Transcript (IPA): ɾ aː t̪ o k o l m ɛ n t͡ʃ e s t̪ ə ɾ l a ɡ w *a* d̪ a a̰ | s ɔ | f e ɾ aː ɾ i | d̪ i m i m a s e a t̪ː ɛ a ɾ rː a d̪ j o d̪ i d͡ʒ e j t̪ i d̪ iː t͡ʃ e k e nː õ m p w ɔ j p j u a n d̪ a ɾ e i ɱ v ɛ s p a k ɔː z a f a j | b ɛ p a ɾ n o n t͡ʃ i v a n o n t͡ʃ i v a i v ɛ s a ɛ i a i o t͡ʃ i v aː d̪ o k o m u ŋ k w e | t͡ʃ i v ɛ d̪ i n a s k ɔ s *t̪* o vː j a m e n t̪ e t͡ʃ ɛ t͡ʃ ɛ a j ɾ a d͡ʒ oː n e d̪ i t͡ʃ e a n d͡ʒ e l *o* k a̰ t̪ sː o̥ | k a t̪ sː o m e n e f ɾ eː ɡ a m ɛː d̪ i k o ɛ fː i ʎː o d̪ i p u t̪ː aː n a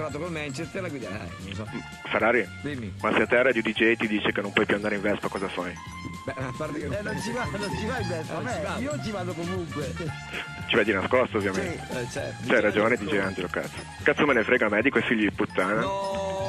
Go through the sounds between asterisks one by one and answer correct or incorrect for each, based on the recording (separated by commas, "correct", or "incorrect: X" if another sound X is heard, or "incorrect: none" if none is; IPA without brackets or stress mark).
incorrect: i, correct, correct